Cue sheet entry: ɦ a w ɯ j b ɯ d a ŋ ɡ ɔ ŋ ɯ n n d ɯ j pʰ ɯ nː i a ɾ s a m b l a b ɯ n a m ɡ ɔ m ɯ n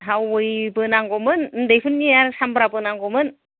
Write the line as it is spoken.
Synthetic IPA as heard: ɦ a w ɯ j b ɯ n a ŋ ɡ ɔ m ɯ n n d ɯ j pʰ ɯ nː i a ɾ s a m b ɾ a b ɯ n a ŋ ɡ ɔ m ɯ n